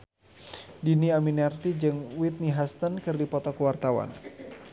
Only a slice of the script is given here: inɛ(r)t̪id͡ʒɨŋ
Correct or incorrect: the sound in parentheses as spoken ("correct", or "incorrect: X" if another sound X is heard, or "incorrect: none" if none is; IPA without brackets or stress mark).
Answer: correct